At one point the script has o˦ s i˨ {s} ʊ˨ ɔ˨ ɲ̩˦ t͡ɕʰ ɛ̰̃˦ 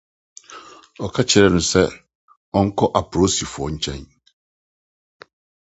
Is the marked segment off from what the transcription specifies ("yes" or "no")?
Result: yes